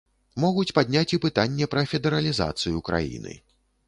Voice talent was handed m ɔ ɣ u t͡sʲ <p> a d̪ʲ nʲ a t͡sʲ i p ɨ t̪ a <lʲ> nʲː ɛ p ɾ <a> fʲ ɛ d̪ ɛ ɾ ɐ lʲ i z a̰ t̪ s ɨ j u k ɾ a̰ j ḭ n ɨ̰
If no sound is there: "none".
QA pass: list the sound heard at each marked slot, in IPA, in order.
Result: p, none, ɐ

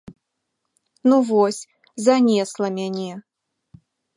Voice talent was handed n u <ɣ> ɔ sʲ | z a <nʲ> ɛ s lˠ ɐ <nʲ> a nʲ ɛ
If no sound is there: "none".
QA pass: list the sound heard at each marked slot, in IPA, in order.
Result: v, nʲ, mʲ

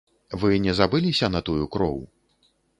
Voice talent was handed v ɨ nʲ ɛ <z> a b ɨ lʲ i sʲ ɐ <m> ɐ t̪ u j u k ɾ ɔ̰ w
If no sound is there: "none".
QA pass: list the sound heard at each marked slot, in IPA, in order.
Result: z, n

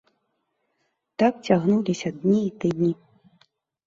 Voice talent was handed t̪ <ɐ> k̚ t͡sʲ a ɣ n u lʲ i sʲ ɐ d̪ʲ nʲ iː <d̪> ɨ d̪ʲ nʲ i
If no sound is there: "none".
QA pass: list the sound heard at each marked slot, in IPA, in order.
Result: a, t̪

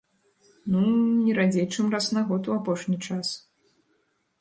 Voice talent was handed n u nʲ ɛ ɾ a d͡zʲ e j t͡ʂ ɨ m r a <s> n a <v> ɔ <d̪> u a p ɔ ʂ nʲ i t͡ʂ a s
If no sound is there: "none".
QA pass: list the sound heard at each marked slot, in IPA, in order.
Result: s, ɣ, t̪

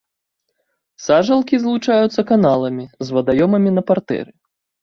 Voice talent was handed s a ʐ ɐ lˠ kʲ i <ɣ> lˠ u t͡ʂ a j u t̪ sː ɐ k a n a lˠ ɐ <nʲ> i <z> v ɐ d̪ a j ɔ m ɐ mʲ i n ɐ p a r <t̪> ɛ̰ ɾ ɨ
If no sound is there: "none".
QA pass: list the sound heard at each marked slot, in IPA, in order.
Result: z, mʲ, z, t̪

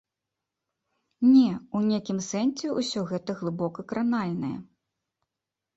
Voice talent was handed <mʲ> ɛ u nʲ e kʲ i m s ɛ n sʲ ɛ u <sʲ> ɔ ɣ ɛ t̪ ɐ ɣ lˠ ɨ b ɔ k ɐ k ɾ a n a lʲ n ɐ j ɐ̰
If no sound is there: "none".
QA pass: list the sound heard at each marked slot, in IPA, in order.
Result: nʲ, sʲ

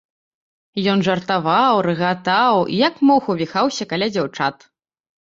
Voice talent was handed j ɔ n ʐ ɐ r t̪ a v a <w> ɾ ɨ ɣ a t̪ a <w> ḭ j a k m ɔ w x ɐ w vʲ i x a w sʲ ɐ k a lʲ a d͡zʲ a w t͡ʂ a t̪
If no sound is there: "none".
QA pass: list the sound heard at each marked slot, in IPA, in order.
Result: w, w

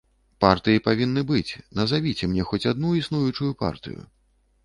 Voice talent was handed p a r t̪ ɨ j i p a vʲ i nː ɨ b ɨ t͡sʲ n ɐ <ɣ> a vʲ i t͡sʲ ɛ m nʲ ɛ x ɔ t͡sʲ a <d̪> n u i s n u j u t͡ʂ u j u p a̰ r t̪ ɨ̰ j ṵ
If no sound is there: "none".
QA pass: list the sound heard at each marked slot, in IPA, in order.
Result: z, d̪

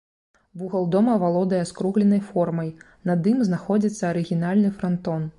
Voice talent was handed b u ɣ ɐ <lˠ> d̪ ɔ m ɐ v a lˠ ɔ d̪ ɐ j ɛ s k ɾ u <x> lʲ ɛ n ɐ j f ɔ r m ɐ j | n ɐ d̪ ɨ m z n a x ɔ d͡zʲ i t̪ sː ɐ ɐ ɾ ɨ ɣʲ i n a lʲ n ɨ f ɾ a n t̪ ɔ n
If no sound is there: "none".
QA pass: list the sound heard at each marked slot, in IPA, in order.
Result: lˠ, ɣ

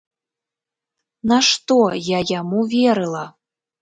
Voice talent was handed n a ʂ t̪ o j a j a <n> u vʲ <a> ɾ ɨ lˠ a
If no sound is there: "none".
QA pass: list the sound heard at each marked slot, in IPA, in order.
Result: m, e

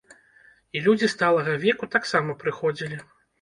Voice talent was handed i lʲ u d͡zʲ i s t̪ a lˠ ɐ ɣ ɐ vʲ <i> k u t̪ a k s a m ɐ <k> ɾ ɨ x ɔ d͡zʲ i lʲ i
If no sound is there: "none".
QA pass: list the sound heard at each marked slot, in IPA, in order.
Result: ɛ, p

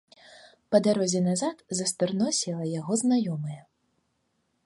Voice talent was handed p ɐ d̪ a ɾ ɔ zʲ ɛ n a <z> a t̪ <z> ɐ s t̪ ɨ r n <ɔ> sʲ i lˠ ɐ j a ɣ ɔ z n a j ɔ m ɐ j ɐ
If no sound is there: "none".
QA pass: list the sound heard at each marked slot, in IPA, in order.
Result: z, z, ɔ

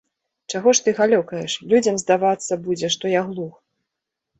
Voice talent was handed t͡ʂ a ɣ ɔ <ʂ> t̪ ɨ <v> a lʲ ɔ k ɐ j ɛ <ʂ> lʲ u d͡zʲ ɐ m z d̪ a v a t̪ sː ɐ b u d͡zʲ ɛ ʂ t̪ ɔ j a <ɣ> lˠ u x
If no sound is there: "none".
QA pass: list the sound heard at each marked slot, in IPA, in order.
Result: ʂ, ɣ, ʂ, ɣ

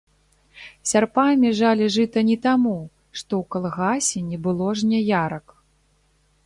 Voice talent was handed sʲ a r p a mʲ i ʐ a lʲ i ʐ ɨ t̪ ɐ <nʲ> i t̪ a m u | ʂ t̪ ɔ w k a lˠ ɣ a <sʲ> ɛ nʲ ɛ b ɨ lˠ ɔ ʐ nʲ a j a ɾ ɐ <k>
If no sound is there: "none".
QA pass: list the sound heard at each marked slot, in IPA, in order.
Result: nʲ, sʲ, k

